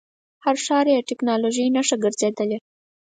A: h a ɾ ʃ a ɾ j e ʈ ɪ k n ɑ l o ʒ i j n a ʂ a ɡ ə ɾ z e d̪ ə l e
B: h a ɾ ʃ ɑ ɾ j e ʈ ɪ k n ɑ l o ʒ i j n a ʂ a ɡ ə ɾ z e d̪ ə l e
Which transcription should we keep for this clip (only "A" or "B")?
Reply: B